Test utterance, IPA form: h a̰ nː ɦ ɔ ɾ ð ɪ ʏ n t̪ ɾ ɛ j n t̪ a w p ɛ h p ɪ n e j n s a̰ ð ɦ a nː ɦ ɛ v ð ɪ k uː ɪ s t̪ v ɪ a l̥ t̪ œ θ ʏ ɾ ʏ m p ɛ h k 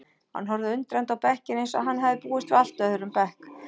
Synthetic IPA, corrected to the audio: h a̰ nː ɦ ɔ ɾ ð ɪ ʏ n t̪ ɾ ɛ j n t̪ a w p ɛ h c ɪ n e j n s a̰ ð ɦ a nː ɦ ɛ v ð ɪ p uː ɪ s t̪ v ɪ a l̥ t̪ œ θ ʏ ɾ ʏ m p ɛ h k